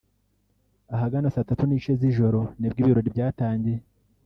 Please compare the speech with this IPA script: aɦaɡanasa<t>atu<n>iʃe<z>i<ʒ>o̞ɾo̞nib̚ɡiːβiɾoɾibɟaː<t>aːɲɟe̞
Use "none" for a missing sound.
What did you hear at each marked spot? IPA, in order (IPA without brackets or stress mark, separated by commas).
t, n, z, ʒ, t